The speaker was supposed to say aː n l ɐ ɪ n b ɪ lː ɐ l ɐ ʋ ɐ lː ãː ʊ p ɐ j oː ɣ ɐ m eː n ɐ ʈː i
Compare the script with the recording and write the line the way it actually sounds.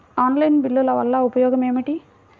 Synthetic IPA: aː n l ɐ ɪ n b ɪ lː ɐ l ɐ ʋ ɐ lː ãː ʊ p ɐ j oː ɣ ɐ m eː m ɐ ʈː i